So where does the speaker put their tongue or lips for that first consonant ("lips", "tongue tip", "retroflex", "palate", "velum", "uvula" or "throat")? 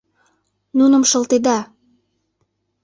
tongue tip